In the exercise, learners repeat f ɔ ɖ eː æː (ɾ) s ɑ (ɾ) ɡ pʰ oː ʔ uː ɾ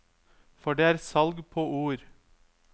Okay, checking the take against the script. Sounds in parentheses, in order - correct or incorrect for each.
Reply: correct, incorrect: l

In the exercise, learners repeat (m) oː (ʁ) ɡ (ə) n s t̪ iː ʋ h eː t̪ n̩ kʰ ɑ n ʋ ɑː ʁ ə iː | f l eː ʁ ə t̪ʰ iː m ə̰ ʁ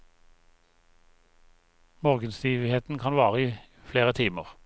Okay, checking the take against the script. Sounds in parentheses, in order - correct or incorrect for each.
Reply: correct, correct, correct

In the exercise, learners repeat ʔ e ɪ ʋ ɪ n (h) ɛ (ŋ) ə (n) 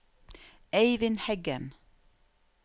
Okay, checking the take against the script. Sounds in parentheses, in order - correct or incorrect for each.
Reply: correct, incorrect: ɡ, correct

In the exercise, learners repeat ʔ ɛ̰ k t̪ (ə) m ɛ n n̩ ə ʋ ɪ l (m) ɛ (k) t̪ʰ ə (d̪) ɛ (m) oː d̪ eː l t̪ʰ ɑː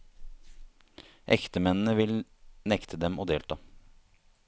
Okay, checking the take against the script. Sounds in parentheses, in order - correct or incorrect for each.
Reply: correct, incorrect: n, correct, correct, correct

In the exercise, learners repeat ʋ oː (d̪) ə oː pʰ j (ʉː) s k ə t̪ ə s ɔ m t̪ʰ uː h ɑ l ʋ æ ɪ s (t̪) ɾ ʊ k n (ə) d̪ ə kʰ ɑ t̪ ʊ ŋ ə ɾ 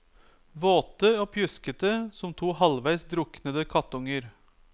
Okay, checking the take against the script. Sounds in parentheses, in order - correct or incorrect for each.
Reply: incorrect: t̪, incorrect: ʉ, incorrect: d̪, correct

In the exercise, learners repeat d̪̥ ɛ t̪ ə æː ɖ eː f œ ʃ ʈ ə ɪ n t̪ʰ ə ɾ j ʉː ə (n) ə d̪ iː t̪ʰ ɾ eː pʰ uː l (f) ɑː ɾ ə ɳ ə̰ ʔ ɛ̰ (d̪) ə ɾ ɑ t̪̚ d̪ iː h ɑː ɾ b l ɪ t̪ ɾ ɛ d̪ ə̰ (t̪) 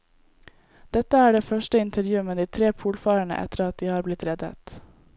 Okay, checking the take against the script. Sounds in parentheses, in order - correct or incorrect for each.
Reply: incorrect: m, correct, incorrect: t̪, correct

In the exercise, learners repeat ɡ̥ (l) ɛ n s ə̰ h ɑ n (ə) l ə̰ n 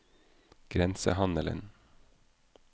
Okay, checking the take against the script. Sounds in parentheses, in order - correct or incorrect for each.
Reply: incorrect: ɾ, correct

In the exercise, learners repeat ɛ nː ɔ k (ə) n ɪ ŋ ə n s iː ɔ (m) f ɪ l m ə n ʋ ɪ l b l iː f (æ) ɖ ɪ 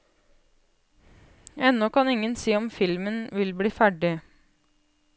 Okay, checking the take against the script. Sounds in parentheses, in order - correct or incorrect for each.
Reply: incorrect: ɑ, correct, correct

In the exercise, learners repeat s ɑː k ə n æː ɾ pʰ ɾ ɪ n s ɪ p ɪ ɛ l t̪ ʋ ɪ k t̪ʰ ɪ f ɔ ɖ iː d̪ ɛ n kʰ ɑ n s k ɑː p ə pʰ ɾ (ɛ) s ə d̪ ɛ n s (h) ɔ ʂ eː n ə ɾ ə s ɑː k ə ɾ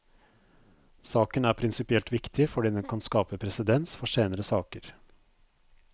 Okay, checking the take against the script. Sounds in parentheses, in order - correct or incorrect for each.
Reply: correct, incorrect: f

